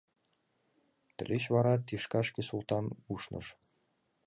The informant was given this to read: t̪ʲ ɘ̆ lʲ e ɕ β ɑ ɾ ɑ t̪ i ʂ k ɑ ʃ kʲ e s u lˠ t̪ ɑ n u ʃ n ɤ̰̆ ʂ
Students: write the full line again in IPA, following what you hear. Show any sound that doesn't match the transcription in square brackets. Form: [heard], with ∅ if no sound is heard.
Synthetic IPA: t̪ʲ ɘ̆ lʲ e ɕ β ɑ ɾ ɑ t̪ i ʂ k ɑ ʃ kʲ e s u lˠ t̪ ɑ n u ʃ n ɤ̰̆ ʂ